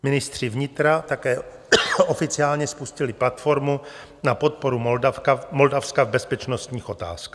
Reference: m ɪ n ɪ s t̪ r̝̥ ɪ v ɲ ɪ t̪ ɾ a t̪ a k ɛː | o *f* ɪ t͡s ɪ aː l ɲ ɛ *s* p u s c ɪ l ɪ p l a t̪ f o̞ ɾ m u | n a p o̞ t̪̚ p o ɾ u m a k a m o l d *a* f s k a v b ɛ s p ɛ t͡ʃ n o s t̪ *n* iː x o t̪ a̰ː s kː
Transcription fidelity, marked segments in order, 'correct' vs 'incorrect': correct, correct, correct, incorrect

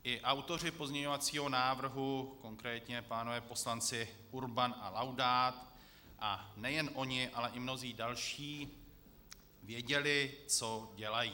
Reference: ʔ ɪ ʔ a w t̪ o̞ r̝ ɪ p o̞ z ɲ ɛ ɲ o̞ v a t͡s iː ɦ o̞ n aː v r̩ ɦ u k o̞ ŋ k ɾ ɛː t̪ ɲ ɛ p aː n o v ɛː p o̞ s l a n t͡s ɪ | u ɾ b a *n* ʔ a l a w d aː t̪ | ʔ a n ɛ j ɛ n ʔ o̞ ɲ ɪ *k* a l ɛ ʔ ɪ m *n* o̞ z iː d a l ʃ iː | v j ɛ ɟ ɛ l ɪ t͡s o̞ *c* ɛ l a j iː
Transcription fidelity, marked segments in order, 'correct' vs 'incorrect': correct, incorrect, correct, incorrect

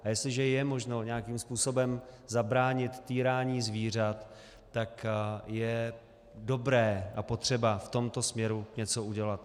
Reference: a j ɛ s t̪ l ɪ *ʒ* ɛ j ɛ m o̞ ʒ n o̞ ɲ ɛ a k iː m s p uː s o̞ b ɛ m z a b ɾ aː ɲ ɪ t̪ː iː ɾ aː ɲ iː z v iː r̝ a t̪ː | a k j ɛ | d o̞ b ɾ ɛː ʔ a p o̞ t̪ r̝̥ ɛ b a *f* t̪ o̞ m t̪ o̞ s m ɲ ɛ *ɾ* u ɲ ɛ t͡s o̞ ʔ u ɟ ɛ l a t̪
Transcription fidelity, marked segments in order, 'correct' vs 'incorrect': correct, correct, correct

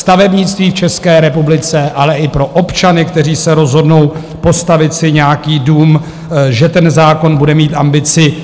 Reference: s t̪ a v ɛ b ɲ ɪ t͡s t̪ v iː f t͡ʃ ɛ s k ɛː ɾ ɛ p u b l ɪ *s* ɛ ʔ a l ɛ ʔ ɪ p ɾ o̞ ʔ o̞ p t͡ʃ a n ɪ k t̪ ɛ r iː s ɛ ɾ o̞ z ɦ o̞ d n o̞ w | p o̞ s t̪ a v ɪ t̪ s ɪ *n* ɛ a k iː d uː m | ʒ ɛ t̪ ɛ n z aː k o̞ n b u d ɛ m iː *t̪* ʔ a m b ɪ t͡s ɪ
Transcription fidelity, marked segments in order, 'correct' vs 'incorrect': incorrect, incorrect, correct

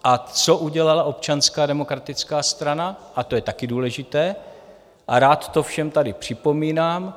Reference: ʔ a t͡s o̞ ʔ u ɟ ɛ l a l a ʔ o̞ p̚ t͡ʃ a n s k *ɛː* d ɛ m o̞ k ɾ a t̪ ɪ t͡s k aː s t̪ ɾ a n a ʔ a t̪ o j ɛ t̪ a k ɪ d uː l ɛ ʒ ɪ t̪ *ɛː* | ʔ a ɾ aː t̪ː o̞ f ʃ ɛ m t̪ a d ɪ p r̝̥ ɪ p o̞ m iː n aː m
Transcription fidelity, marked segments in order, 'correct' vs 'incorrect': incorrect, correct

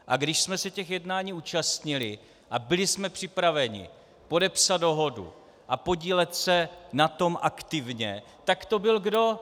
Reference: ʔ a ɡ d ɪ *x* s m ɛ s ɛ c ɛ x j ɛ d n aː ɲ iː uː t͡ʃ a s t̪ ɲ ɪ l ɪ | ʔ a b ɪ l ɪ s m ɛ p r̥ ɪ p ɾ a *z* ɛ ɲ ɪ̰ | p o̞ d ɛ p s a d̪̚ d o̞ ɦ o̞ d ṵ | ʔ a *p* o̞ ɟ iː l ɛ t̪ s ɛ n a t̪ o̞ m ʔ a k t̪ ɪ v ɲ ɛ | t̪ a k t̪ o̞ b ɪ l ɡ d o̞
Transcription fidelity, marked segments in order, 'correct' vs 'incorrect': incorrect, incorrect, correct

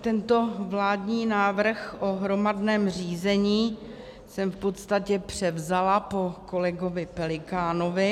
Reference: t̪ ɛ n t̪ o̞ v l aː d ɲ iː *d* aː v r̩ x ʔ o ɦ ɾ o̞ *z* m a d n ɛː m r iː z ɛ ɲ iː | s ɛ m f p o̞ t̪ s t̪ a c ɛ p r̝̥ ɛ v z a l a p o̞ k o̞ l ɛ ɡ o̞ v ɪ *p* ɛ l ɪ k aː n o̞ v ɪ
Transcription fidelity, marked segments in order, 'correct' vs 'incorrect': incorrect, incorrect, correct

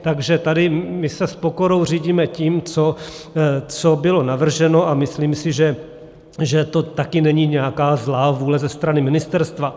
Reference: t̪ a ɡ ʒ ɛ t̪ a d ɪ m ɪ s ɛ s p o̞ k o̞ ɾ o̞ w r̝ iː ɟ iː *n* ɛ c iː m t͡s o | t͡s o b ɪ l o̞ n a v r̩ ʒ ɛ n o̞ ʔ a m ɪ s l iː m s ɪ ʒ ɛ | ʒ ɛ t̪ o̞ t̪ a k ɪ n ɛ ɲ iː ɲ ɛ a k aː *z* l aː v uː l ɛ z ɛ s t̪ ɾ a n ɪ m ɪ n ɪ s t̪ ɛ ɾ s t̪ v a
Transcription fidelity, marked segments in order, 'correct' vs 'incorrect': incorrect, correct

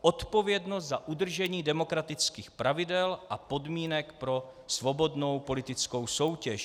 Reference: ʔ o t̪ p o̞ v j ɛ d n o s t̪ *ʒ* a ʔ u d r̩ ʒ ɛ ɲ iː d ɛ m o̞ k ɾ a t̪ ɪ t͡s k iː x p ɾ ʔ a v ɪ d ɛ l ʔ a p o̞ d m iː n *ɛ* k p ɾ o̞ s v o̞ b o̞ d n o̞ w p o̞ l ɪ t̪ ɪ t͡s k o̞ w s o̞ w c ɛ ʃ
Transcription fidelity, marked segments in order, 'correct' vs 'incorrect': incorrect, correct

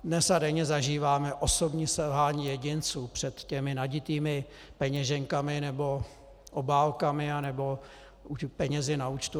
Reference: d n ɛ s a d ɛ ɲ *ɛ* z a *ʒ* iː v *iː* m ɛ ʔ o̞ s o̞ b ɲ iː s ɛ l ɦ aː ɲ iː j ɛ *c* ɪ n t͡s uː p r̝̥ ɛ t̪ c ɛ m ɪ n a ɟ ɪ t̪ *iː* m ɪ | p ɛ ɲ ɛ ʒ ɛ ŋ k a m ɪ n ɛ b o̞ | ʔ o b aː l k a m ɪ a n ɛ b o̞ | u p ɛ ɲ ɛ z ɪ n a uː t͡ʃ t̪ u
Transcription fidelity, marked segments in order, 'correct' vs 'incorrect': correct, correct, incorrect, incorrect, correct

